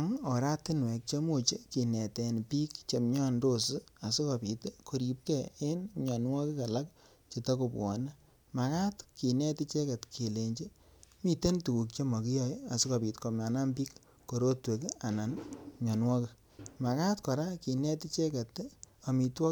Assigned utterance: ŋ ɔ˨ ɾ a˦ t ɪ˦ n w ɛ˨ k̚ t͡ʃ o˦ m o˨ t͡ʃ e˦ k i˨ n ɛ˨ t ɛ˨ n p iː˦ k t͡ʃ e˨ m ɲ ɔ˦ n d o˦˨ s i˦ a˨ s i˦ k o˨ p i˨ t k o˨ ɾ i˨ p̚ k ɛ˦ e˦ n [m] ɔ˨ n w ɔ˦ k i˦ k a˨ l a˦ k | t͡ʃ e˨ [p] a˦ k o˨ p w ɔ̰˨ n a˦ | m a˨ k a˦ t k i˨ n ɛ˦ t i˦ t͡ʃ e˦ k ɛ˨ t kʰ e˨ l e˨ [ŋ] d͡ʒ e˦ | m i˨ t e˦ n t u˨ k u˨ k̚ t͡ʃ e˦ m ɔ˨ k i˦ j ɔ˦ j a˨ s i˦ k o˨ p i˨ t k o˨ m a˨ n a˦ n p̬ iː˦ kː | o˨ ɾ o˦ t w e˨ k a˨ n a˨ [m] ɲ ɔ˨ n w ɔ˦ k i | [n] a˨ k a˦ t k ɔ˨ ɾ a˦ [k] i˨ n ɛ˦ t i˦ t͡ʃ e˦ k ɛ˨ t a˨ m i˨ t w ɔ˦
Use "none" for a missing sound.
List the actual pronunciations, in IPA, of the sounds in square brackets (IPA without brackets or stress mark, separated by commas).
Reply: ɲ, t, ɲ, n, m, k